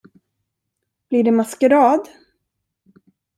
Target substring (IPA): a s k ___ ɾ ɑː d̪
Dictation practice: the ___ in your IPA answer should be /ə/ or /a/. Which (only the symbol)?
ə